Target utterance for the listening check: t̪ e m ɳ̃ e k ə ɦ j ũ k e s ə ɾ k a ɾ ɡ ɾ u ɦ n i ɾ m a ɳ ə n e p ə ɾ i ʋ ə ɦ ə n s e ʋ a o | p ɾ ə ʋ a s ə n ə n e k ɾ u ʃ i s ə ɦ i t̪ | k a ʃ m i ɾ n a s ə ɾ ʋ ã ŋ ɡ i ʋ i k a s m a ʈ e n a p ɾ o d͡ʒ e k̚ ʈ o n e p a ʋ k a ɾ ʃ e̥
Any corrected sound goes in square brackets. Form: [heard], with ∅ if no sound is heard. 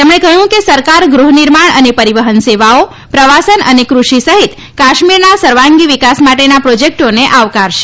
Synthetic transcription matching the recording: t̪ e m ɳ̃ e k ə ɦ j ũ k e s ə ɾ k a ɾ ɡ ɾ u ɦ n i ɾ m a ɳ ə n e p ə ɾ i ʋ ə ɦ ə n s e ʋ a o | p ɾ ə ʋ a s ə n ə n e k ɾ u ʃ i s ə ɦ i t̪ | k a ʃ m i ɾ n a s ə ɾ ʋ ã ŋ ɡ i ʋ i k a s m a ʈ e n a p ɾ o d͡ʒ e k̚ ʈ o n e [ʔ] a ʋ k a ɾ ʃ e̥